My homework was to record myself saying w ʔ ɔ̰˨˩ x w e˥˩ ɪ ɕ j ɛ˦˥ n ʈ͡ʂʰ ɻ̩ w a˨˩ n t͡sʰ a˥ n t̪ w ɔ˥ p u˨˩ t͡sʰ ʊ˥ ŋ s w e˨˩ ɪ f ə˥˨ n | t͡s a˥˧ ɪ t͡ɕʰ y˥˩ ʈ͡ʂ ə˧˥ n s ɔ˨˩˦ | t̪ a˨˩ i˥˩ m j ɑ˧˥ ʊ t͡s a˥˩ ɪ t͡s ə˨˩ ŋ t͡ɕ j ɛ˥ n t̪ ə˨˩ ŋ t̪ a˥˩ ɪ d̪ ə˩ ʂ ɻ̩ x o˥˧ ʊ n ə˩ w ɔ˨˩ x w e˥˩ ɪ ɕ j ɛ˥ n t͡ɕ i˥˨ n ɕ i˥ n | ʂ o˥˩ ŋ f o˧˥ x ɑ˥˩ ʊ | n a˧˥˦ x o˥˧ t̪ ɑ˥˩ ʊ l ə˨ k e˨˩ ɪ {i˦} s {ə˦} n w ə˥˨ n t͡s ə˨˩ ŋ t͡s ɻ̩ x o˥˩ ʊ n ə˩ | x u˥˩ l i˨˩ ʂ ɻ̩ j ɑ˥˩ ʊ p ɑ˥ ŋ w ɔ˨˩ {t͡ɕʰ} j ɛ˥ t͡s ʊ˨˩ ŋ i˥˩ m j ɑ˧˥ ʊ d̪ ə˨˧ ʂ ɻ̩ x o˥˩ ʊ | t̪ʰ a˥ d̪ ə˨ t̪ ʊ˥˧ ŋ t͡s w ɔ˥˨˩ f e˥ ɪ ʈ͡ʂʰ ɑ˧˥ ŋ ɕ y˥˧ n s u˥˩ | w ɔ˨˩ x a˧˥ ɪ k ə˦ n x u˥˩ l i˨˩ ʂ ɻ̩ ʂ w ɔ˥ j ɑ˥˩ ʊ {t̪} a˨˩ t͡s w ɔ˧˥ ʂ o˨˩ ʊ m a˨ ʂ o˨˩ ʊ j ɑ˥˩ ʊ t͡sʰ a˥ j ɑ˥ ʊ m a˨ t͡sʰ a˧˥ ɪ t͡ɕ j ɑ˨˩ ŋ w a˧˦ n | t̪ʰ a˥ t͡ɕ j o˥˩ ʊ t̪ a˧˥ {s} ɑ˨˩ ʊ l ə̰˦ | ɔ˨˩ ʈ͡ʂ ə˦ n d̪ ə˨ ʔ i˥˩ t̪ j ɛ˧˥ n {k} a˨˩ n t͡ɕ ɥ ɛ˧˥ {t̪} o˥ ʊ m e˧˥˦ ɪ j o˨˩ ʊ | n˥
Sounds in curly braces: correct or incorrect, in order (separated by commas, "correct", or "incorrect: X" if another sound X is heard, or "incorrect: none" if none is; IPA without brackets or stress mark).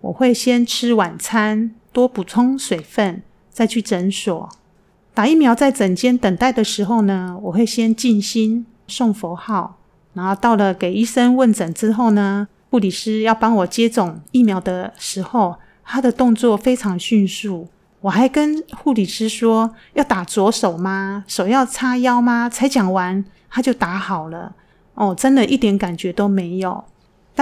incorrect: i˥˩, correct, incorrect: t͡ɕ, correct, incorrect: x, correct, correct